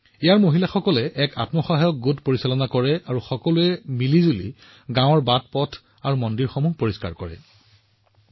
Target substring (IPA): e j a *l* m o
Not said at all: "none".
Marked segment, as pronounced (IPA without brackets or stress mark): ɹ